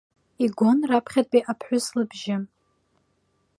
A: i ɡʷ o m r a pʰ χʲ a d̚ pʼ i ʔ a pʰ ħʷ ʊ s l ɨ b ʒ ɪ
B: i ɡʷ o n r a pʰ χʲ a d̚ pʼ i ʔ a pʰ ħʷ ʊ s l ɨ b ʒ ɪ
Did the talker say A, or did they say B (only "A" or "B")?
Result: B